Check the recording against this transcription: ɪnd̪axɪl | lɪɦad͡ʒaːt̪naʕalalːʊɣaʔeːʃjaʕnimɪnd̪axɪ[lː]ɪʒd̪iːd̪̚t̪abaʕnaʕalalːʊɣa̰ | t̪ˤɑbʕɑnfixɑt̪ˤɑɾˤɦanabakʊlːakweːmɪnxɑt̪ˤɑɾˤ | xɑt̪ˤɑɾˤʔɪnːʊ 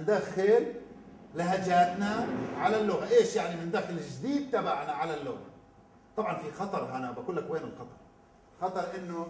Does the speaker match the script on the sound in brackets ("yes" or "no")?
no